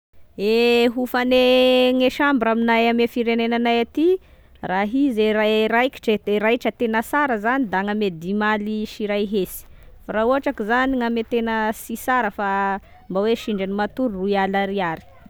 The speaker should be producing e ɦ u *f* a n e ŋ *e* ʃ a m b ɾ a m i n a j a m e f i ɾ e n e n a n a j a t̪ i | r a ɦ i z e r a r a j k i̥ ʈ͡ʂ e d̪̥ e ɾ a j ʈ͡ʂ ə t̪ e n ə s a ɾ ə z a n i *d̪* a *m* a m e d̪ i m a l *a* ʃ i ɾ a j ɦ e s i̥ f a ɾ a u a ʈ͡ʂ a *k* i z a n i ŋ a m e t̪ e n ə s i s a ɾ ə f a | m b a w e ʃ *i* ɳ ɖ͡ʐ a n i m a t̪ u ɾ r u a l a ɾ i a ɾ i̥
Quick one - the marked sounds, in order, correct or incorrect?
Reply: correct, correct, correct, incorrect, incorrect, correct, correct

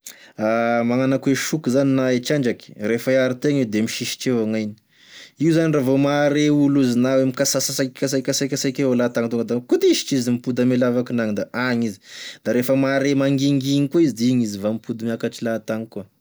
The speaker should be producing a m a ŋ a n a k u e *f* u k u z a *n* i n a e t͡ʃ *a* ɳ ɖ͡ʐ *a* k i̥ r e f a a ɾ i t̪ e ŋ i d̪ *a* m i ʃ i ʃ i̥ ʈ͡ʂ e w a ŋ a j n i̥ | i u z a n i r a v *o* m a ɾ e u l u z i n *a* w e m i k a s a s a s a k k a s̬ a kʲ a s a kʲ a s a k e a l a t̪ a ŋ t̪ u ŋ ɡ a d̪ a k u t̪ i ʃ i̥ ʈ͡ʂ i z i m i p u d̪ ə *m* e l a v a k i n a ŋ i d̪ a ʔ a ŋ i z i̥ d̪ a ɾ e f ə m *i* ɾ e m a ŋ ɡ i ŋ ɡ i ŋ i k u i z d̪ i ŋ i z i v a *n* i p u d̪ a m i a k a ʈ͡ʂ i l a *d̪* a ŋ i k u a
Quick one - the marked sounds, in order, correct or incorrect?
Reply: incorrect, correct, correct, correct, incorrect, correct, correct, correct, incorrect, incorrect, incorrect

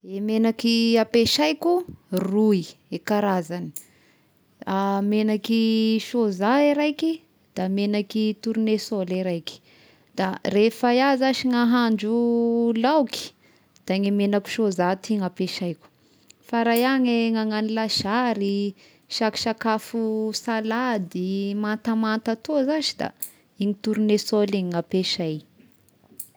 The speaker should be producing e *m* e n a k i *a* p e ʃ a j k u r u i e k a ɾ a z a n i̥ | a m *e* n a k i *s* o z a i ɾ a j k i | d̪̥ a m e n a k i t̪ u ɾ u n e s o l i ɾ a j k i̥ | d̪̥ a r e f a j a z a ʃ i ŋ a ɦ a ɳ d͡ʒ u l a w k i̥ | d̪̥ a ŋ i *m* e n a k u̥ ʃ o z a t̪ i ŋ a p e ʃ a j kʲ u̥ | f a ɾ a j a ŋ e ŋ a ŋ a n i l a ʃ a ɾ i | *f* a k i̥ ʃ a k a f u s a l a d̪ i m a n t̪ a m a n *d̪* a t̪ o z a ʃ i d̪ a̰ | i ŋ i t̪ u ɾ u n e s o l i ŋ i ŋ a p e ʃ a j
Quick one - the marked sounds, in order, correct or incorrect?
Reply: correct, correct, correct, incorrect, correct, incorrect, incorrect

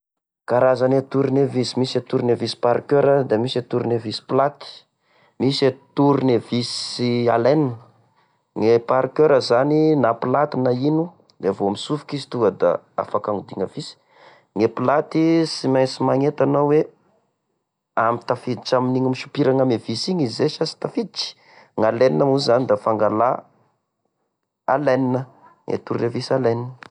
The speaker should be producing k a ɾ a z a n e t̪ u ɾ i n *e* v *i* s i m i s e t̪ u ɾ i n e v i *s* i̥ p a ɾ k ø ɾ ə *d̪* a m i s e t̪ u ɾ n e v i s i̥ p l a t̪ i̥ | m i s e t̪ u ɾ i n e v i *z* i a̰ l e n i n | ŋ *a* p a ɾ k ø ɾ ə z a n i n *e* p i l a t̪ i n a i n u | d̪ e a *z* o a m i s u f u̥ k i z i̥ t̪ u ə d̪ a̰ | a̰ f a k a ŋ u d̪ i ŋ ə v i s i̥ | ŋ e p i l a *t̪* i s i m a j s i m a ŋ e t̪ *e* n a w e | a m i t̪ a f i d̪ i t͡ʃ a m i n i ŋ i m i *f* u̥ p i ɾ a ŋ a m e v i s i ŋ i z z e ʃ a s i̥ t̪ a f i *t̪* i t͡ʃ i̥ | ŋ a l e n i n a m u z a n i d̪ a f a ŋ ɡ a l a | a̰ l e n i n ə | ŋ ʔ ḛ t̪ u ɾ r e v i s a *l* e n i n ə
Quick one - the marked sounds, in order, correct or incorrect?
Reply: correct, correct, correct, correct, incorrect, incorrect, incorrect, incorrect, correct, incorrect, incorrect, incorrect, correct

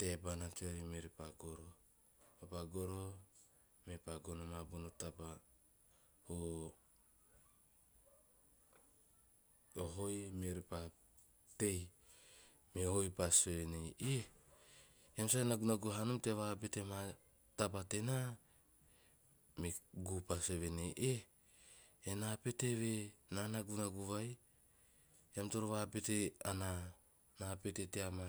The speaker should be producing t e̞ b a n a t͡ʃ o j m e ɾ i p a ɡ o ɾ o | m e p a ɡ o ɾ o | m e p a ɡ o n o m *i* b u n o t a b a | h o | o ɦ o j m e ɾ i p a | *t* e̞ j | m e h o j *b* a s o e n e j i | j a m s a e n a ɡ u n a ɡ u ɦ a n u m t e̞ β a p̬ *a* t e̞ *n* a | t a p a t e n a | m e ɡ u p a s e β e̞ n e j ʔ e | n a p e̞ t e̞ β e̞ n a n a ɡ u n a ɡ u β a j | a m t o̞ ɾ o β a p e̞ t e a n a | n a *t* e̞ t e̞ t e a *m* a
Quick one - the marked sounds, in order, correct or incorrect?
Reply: incorrect, correct, incorrect, incorrect, incorrect, incorrect, correct

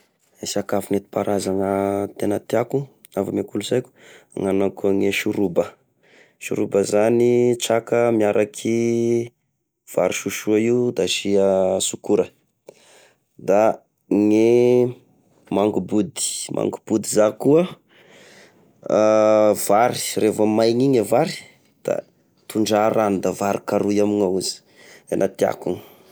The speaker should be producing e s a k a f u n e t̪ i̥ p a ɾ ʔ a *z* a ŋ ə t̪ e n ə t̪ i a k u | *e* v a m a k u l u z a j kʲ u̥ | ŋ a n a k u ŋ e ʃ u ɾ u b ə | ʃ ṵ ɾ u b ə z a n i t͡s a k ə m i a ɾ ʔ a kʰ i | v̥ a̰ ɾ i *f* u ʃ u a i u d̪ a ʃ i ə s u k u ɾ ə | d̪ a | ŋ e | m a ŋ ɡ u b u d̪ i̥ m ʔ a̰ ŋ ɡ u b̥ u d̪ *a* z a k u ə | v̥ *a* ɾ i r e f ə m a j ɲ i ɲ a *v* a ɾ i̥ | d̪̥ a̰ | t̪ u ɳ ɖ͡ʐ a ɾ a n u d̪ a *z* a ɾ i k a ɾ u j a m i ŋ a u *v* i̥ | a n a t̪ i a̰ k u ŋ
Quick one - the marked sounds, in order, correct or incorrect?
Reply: correct, incorrect, incorrect, incorrect, correct, correct, incorrect, incorrect

